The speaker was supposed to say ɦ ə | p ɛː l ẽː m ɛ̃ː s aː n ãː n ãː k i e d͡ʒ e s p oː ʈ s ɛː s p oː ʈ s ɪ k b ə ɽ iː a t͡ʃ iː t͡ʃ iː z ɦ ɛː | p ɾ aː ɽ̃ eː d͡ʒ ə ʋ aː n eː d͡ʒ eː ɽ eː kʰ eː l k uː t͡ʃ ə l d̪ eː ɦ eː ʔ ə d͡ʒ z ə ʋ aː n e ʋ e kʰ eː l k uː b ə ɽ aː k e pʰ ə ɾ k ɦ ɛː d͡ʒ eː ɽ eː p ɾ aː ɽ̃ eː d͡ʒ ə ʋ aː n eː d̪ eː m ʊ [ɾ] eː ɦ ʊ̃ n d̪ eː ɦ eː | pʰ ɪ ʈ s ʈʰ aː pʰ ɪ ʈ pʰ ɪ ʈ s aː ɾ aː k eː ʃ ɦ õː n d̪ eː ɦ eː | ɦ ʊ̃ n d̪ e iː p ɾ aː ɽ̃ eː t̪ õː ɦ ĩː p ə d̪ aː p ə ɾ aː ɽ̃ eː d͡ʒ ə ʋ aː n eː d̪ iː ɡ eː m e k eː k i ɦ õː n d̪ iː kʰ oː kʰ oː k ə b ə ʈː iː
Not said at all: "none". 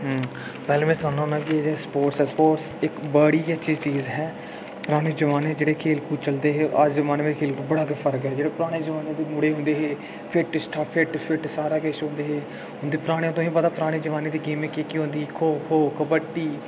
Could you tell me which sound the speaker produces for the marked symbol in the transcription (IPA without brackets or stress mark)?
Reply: ɽ